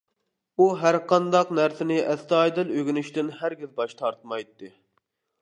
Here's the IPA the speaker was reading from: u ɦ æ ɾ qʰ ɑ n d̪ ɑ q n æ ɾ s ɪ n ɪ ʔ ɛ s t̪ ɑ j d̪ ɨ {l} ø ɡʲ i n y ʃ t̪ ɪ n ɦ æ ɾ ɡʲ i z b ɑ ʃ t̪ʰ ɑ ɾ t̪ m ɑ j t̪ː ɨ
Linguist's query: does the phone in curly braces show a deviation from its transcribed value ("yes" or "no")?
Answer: no